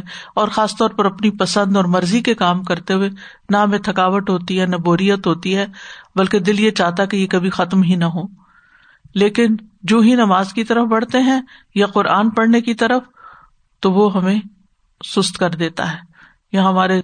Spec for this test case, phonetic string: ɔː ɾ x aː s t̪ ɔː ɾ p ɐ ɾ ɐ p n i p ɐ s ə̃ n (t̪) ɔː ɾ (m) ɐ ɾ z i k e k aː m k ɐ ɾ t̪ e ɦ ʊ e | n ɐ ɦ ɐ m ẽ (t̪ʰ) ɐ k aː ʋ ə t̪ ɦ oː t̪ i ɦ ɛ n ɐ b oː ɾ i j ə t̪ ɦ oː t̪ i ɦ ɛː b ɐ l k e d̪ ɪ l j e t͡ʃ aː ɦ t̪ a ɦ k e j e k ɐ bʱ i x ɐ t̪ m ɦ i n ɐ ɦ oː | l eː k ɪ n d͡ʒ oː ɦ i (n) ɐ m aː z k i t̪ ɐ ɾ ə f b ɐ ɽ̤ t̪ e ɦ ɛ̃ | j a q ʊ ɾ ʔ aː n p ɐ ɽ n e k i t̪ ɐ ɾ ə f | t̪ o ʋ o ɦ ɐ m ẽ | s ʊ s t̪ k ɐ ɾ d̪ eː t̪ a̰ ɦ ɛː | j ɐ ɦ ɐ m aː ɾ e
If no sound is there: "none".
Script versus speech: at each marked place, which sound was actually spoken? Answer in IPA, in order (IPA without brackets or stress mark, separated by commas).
d̪, m, t̪ʰ, n